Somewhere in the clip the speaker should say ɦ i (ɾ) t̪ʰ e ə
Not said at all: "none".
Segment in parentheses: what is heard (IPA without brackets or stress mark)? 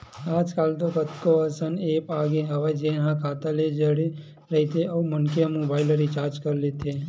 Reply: none